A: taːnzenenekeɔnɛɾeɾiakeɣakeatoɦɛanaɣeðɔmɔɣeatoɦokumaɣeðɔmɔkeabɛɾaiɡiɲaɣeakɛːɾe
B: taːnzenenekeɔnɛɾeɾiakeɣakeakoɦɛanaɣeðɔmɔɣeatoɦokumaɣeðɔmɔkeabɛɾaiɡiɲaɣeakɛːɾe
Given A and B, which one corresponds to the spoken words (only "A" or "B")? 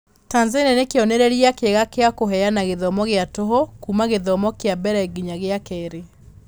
B